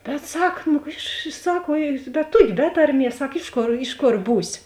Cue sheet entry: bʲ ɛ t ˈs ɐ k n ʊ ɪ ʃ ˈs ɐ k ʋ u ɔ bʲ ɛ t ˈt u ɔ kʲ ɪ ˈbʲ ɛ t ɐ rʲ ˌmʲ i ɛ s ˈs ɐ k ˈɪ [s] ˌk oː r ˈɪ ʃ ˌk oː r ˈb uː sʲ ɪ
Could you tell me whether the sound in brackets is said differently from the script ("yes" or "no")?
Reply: yes